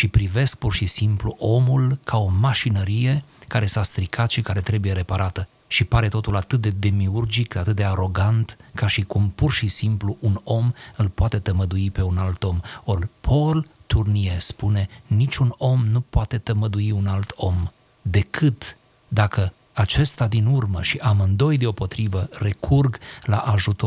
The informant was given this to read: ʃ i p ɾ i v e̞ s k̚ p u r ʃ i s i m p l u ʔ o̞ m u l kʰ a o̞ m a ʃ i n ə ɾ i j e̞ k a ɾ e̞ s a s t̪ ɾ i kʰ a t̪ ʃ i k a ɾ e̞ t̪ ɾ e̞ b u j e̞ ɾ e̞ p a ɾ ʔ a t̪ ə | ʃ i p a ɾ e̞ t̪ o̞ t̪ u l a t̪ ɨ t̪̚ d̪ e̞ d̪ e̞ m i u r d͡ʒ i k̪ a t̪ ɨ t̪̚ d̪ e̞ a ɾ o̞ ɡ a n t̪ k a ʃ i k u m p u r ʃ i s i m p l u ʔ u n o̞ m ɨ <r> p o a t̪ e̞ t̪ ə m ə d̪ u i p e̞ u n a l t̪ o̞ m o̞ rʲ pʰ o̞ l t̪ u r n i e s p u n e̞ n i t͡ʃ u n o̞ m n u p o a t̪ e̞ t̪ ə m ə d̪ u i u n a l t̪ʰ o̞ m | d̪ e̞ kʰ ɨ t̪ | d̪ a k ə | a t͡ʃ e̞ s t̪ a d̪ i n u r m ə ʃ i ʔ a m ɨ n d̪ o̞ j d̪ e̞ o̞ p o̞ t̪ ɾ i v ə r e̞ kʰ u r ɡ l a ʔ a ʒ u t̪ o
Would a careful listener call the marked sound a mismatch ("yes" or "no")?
yes